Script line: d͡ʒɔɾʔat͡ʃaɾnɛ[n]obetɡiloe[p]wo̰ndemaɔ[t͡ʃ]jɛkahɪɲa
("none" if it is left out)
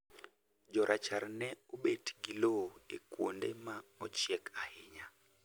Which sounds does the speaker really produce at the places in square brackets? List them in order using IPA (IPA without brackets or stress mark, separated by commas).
none, k, t͡ʃ